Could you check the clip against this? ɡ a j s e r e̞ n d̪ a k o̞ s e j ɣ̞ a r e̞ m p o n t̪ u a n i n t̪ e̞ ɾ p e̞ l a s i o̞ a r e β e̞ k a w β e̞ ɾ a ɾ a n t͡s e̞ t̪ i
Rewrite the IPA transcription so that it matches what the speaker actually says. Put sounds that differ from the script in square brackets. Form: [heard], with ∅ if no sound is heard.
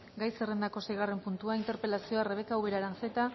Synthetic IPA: ɡ a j s e r e̞ n d̪ a k o̞ s e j ɣ̞ a r e̞ m p [u] n t̪ u a [∅] i n t̪ e̞ ɾ p e̞ l a s i o̞ a r e β e̞ k a w β e̞ ɾ a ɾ a n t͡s e̞ t̪ [a]